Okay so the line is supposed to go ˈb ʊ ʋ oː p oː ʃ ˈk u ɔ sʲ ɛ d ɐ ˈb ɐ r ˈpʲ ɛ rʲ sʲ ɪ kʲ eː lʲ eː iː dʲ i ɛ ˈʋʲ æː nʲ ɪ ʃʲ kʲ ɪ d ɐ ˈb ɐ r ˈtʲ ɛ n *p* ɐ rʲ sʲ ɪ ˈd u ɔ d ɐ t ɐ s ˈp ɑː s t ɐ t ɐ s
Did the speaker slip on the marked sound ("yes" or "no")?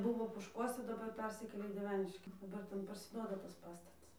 no